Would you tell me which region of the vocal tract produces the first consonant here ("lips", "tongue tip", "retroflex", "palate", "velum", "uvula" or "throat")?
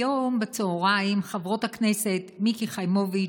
lips